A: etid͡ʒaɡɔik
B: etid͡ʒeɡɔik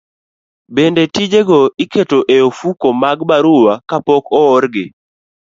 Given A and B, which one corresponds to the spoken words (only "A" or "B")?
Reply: B